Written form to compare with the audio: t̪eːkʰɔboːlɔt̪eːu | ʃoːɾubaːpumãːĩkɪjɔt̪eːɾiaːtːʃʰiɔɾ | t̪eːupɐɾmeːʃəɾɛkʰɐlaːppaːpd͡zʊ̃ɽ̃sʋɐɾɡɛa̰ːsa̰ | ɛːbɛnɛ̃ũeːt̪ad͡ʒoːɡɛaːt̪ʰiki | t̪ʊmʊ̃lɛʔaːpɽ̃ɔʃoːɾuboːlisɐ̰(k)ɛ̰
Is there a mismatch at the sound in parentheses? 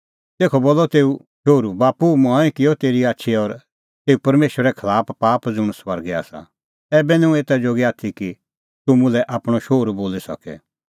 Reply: no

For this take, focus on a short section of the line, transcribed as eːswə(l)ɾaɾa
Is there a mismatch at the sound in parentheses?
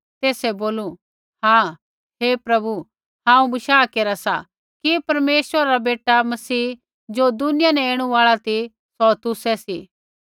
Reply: yes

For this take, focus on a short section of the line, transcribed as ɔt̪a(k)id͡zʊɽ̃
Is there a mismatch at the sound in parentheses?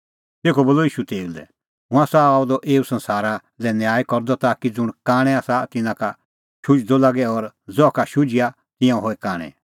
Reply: no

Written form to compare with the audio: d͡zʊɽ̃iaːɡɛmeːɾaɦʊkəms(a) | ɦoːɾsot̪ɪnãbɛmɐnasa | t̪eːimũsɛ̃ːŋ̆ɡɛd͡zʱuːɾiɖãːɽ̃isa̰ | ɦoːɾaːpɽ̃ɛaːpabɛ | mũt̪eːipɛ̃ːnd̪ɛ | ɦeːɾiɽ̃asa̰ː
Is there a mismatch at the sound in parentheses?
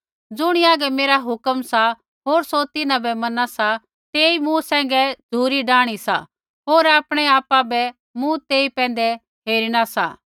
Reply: no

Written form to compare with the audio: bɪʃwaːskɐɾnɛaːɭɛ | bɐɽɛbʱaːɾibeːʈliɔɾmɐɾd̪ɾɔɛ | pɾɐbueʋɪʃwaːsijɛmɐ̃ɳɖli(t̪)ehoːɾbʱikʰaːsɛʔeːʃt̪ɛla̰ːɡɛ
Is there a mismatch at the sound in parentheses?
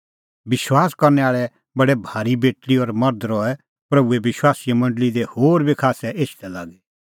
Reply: yes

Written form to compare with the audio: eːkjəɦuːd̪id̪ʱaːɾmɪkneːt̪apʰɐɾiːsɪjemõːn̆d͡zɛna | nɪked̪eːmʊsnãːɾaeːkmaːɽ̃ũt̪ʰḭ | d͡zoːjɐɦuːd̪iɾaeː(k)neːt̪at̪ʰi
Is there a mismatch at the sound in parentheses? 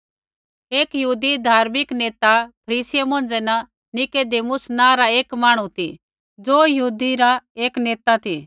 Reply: no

